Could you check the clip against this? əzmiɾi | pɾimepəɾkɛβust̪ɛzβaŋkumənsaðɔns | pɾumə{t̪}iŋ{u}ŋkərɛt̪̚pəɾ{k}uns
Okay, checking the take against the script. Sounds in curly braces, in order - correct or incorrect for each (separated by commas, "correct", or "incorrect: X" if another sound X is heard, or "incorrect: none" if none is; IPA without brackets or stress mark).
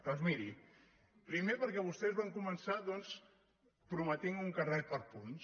correct, correct, incorrect: p